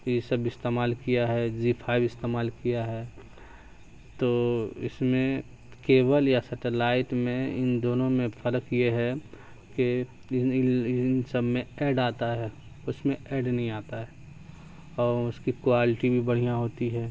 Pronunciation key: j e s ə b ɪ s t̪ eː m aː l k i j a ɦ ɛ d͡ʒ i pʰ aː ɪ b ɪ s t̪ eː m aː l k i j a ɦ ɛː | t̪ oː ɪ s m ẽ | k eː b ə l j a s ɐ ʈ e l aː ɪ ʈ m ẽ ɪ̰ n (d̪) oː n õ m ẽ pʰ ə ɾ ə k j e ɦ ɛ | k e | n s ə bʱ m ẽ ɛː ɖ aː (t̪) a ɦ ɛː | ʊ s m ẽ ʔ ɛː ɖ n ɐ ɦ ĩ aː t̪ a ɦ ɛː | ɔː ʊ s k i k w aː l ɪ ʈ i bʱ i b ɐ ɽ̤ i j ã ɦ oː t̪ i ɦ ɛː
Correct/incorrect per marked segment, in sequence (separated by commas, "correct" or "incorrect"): correct, correct